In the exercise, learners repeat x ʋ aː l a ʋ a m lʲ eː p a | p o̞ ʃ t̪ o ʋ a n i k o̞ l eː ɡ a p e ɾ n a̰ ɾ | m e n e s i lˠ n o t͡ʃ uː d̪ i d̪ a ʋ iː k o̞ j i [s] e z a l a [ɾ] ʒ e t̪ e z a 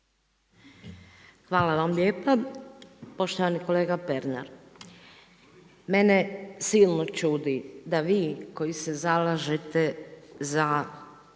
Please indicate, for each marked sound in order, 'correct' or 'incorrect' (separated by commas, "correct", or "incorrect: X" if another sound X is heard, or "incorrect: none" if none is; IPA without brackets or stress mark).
correct, incorrect: none